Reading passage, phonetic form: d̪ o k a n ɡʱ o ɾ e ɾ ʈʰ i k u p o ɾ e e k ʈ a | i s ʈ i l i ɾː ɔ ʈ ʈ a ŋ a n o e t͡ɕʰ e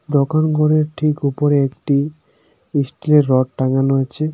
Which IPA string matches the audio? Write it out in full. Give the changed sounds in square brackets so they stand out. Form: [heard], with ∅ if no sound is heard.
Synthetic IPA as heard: d̪ o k a n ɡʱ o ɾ e ɾ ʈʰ i k u p o ɾ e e k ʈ [i] | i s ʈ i l [e] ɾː ɔ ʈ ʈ a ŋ a n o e t͡ɕʰ e